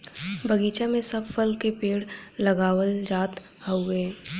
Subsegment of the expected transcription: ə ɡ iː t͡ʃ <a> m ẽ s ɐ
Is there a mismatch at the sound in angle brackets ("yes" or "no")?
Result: no